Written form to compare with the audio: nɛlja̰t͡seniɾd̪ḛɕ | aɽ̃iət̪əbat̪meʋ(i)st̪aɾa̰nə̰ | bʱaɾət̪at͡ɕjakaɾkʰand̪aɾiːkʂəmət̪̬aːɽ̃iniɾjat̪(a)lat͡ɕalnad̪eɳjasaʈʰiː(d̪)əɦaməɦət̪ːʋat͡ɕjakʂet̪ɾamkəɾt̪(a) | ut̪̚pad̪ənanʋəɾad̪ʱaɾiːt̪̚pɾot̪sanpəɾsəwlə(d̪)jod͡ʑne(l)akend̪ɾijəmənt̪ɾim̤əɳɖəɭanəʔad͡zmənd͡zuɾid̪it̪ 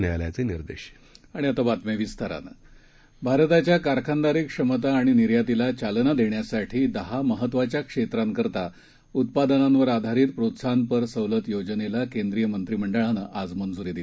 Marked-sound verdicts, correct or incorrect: correct, incorrect, correct, correct, incorrect, correct

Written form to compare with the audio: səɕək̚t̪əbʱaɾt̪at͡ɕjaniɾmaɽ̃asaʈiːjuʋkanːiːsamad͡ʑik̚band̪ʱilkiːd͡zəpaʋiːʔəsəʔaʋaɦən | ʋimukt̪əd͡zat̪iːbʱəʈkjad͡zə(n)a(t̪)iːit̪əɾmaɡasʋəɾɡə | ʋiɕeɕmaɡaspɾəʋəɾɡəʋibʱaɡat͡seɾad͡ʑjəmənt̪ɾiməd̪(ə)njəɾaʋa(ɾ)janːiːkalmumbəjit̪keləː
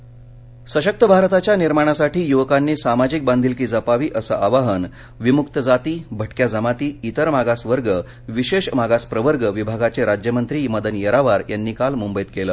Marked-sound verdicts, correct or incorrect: incorrect, correct, correct, correct

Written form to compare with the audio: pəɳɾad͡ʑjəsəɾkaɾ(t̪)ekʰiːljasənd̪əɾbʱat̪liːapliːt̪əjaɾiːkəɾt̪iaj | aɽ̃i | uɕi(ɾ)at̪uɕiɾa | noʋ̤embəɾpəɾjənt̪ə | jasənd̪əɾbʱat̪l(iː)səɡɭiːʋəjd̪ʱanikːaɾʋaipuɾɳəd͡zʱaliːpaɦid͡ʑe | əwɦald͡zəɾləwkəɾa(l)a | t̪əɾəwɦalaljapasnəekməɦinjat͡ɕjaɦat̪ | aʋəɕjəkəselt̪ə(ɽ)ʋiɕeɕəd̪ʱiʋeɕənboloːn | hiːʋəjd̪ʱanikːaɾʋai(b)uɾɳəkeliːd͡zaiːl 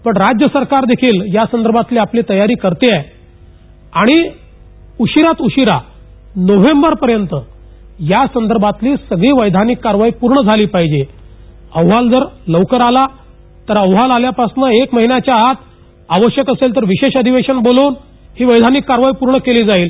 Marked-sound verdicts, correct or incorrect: incorrect, correct, correct, correct, incorrect, incorrect

